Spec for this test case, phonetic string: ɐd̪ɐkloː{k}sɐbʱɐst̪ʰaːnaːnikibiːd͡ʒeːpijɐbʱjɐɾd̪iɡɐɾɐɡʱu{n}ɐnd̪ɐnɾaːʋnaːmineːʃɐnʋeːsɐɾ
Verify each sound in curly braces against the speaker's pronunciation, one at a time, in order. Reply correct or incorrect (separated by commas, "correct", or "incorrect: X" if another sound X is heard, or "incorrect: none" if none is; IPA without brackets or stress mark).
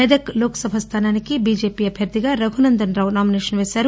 correct, correct